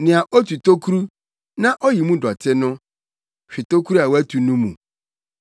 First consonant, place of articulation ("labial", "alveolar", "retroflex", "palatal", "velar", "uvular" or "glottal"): alveolar